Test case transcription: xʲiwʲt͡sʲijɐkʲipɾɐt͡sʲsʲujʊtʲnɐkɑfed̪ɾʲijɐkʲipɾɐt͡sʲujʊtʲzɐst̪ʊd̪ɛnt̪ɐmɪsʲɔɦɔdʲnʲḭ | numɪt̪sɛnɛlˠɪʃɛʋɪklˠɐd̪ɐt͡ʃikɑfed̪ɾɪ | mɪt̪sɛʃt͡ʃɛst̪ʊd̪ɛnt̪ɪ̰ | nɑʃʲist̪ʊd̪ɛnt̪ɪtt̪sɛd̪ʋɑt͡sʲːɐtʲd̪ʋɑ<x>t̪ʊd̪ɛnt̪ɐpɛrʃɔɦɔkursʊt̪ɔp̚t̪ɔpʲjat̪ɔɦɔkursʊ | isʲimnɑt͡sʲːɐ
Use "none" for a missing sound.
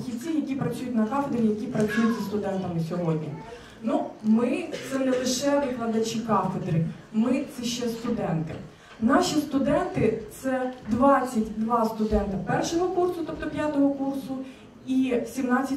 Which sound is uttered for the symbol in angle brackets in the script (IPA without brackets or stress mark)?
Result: s